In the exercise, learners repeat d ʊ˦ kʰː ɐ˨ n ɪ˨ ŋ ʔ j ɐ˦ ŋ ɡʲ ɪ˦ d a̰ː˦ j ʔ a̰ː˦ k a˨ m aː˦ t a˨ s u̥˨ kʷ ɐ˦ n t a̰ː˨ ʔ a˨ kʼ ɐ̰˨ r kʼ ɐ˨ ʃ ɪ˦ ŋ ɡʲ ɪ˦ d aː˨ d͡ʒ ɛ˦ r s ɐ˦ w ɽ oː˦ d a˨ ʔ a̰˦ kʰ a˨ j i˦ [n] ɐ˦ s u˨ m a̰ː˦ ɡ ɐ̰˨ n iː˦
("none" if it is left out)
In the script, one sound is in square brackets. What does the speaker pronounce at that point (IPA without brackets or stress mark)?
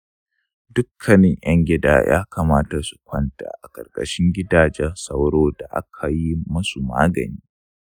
m